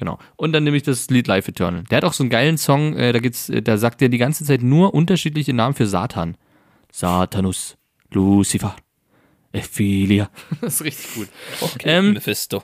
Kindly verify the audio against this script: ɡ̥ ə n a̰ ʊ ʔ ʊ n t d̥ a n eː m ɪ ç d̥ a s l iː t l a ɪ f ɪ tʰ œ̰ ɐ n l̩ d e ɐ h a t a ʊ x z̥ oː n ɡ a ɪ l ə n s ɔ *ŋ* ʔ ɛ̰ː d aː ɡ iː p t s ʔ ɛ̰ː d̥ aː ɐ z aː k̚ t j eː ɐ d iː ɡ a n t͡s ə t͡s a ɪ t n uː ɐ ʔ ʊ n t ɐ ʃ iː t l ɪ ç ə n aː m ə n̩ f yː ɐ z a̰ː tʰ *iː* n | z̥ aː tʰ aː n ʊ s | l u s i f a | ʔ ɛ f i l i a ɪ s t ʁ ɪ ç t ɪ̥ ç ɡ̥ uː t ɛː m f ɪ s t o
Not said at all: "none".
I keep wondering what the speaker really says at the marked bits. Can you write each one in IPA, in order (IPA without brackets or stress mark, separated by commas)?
ŋ, aː